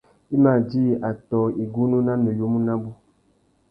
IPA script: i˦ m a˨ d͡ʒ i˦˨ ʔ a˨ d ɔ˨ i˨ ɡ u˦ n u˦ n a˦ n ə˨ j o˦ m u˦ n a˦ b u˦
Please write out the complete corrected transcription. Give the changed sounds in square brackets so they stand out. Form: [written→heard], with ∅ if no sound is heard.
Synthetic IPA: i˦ m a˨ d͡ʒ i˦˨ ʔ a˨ [d→t] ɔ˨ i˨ ɡ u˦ n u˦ n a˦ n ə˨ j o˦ m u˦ n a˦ b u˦